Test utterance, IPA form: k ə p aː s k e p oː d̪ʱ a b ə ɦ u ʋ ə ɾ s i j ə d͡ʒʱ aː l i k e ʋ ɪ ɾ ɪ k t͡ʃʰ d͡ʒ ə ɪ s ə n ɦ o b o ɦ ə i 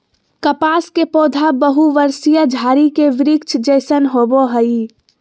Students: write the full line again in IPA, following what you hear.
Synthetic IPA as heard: k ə p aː s k e p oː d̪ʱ a b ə ɦ u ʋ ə ɾ s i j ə d͡ʒʱ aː ɾ i k e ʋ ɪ ɾ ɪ k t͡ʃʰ d͡ʒ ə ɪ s ə n ɦ o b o ɦ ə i